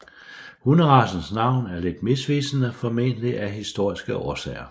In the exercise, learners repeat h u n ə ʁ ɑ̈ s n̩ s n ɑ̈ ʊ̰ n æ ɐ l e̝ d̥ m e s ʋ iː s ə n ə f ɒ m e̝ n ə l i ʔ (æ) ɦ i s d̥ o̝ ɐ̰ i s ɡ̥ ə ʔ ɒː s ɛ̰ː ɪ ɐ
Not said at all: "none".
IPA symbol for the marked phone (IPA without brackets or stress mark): æ